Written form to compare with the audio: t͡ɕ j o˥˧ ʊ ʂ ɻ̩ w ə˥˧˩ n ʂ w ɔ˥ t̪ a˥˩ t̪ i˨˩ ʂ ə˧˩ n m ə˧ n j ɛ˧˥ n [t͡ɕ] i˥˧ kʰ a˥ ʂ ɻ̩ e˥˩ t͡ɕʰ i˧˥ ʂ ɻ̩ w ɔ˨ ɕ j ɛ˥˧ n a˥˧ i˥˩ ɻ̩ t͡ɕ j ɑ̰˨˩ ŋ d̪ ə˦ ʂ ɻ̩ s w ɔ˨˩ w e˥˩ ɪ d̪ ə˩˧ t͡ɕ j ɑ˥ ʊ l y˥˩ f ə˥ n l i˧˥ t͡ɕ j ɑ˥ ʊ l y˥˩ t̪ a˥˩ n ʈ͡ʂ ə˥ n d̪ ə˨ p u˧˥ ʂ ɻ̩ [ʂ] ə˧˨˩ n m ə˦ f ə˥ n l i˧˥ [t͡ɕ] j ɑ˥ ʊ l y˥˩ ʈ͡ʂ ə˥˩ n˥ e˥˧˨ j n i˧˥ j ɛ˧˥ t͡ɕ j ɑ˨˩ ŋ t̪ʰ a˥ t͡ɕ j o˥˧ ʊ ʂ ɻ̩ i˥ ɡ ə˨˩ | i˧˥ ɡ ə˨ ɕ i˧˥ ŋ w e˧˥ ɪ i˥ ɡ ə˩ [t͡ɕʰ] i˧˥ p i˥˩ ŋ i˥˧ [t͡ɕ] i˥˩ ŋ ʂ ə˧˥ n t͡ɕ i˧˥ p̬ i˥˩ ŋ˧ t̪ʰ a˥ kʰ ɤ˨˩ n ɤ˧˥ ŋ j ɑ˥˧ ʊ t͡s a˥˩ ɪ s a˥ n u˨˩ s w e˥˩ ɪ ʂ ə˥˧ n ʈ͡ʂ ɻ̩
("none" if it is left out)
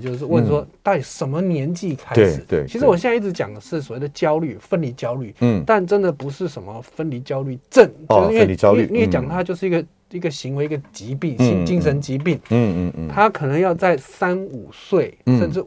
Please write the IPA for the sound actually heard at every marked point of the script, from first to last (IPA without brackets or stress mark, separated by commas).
t͡ɕ, ʂ, t͡ɕ, t͡ɕ, t͡ɕ